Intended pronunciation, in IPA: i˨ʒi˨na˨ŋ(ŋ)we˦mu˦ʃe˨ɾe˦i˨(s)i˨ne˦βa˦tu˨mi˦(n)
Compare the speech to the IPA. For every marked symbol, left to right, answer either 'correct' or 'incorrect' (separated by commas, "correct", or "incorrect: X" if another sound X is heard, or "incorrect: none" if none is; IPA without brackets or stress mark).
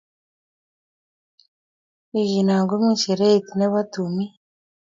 incorrect: ɡ, incorrect: t, incorrect: none